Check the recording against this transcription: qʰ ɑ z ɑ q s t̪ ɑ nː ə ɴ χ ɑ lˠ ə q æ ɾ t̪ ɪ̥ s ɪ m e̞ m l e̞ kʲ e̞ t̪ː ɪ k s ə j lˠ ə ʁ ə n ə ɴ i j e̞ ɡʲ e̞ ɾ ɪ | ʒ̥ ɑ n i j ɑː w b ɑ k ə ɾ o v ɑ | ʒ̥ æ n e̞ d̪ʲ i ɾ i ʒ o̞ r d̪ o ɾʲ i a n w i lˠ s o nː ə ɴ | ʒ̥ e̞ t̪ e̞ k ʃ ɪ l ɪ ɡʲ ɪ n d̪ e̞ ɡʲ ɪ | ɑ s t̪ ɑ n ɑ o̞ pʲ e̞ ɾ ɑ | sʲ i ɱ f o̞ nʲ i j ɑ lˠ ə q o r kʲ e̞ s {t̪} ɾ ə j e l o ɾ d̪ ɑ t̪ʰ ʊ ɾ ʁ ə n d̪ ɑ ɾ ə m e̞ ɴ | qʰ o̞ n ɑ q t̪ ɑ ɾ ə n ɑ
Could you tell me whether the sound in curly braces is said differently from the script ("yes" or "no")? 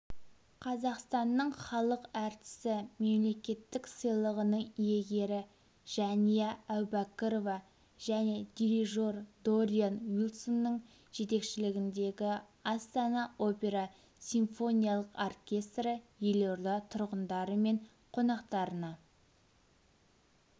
no